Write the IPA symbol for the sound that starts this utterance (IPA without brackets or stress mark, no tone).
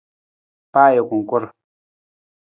p